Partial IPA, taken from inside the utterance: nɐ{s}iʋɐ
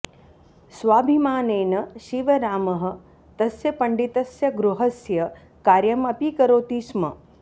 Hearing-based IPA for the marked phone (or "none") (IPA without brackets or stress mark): ʃ